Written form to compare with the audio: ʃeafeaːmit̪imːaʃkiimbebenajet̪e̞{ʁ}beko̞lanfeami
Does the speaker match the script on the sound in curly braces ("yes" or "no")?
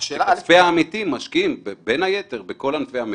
yes